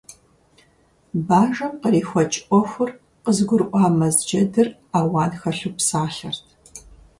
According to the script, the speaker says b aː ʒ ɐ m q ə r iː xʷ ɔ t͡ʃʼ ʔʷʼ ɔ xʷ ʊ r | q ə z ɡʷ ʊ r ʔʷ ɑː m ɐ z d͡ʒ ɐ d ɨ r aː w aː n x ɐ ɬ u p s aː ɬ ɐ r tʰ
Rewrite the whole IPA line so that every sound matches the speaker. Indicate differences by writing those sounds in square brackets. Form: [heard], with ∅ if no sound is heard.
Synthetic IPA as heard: b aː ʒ ɐ m q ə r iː xʷ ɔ t͡ʃʼ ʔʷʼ ɔ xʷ ʊ r | q ə z ɡʷ ʊ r ʔʷ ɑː m ɐ z d͡ʒ ɐ d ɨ r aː w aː n x ɐ ɬ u p s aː ɬ ɐ r tʰ